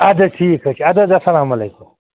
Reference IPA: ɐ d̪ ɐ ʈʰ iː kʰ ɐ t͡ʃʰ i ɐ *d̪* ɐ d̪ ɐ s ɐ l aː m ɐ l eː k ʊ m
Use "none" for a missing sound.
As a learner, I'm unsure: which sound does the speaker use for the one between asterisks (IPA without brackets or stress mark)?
d̪